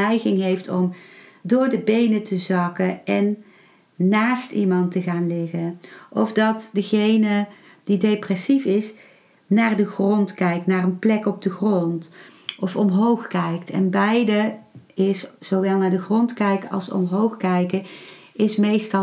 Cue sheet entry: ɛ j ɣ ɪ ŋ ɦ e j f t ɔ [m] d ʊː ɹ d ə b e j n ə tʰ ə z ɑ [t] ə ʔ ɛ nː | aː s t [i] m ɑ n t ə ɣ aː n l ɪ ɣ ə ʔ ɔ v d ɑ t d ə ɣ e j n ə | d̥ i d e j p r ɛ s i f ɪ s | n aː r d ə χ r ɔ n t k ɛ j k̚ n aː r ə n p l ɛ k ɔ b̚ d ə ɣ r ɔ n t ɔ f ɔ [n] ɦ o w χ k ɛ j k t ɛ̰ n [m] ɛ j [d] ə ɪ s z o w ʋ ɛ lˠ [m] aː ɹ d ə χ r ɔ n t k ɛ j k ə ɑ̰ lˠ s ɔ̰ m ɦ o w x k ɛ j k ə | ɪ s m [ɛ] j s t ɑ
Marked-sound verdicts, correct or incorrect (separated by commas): correct, incorrect, correct, incorrect, incorrect, correct, incorrect, incorrect